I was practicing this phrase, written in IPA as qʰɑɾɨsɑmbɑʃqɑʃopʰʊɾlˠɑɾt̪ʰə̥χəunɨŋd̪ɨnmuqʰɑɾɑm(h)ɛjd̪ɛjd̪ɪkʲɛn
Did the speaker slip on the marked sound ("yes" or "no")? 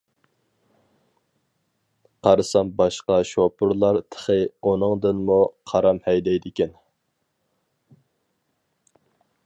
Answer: no